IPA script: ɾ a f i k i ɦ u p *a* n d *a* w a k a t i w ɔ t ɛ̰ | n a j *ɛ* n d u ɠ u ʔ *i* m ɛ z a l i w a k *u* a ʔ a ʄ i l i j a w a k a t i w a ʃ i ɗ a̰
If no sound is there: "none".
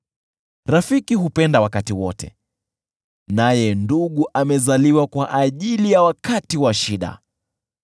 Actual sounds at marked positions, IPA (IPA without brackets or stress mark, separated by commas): ɛ, a, ɛ, a, w